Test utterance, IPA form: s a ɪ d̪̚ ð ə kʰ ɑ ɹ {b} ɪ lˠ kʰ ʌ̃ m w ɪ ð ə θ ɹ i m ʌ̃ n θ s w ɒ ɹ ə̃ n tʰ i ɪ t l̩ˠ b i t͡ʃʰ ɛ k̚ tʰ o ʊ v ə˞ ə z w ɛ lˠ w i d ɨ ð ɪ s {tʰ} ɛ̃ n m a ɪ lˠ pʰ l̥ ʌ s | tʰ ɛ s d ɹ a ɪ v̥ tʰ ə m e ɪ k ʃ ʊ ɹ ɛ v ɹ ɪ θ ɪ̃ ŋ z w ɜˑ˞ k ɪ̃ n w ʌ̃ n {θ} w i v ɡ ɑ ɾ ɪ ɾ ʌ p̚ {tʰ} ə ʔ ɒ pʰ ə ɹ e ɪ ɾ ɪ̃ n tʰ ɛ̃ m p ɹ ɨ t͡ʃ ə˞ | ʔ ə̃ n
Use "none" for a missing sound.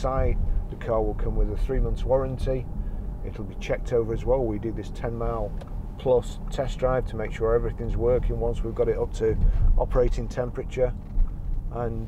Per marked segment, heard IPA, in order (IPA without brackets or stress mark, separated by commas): w, tʰ, s, tʰ